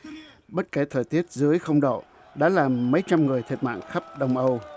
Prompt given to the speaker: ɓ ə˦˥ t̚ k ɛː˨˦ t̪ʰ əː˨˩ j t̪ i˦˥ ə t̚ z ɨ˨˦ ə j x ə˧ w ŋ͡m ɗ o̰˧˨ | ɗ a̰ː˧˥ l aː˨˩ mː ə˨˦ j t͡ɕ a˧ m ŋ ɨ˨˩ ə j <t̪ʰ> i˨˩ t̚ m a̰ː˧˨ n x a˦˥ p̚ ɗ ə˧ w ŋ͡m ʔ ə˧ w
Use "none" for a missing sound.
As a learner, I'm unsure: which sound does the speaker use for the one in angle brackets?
t̪ʰ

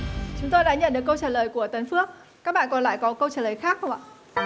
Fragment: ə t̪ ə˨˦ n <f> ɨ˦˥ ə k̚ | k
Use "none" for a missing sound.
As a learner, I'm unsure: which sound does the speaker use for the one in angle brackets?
f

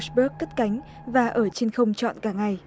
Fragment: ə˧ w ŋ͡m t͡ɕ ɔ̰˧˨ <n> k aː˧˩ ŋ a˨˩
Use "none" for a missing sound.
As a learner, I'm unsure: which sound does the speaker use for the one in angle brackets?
n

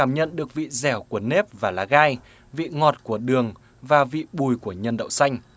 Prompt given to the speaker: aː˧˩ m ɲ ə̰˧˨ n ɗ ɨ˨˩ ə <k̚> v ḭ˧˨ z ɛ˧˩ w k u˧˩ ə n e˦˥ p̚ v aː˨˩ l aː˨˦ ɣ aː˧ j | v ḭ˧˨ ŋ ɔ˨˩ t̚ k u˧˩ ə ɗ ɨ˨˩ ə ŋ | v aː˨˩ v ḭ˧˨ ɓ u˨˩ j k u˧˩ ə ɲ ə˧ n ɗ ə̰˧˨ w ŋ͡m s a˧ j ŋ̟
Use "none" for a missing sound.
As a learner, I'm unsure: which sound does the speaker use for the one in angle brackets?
k̚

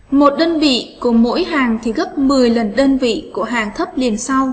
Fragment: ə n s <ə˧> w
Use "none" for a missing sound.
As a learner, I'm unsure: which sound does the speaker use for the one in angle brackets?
a˧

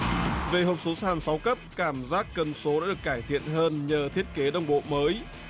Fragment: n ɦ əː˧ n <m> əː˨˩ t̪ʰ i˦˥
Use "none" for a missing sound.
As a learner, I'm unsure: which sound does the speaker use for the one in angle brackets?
ɲ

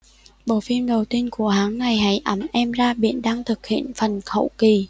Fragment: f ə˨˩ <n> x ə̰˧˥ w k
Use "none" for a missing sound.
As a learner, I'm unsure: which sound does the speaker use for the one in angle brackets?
n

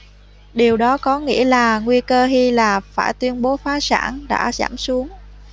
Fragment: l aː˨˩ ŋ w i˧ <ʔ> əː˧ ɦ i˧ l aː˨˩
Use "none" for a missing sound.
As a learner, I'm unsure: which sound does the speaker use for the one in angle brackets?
k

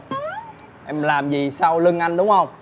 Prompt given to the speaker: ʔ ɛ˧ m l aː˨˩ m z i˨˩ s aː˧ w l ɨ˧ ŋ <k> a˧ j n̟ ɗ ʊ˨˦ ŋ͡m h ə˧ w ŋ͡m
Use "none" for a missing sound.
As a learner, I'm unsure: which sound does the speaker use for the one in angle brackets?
ʔ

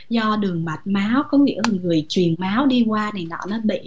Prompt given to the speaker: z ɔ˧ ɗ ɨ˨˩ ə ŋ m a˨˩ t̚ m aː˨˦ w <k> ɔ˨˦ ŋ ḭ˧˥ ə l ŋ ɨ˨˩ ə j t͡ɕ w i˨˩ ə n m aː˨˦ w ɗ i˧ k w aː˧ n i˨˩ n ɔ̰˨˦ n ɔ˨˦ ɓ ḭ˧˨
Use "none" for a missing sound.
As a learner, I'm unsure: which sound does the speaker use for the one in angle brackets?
k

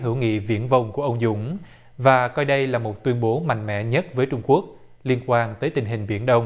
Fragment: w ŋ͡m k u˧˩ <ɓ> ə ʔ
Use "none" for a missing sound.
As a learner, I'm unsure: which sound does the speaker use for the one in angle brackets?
none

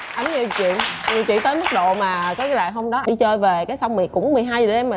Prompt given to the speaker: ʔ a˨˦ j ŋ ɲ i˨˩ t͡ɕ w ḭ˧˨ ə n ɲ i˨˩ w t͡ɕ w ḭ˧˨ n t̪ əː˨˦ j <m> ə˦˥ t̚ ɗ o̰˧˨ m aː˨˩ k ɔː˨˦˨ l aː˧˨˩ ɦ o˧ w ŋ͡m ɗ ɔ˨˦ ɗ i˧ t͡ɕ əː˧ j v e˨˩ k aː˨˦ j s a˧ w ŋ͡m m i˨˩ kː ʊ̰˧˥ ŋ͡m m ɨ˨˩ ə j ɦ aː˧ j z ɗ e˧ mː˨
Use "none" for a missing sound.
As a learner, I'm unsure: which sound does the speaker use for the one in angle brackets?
m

